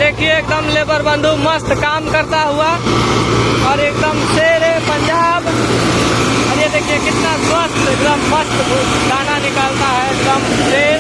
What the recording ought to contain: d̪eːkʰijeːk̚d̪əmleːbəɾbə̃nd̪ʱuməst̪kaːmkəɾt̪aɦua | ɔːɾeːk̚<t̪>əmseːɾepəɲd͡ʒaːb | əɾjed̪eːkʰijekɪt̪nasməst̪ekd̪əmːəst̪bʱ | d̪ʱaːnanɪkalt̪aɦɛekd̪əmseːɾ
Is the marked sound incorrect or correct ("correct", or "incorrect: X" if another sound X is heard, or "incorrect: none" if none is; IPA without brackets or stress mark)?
incorrect: d̪